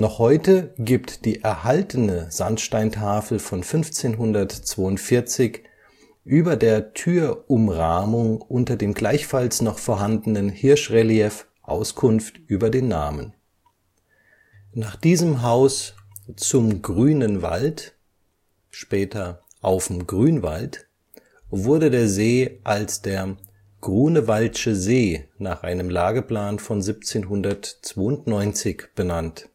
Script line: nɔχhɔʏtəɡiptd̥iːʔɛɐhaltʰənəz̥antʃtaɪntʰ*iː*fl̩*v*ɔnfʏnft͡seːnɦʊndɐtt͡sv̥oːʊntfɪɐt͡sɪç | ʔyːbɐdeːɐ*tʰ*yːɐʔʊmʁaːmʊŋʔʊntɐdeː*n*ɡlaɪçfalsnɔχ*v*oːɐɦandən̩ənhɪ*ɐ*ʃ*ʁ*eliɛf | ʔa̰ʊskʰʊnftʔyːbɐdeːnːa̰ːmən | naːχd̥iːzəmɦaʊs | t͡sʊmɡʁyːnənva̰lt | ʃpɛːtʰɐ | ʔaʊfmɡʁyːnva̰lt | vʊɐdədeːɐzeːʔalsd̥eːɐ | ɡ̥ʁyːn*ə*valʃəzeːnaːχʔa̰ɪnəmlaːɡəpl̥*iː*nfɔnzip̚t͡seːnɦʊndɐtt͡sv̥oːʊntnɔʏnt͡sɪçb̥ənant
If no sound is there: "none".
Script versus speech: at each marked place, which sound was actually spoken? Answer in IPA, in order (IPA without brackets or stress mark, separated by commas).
aː, f, tʰ, m, f, ɐ, ʁ, ə, aː